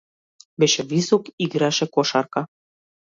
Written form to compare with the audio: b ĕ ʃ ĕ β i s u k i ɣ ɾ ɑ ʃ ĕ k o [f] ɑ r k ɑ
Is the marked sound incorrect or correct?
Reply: incorrect